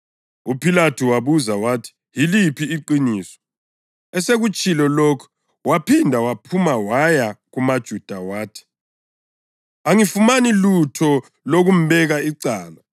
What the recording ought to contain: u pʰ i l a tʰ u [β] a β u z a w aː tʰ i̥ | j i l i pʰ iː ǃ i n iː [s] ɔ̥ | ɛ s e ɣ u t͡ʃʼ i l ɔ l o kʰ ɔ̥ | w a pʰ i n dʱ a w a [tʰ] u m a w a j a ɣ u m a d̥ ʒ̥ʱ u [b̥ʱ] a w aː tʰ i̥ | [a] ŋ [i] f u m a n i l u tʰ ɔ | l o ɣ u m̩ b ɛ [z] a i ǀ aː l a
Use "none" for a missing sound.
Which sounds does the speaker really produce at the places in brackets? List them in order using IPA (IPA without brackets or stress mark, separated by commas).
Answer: w, s, pʰ, d̥ʱ, a, i, ɣ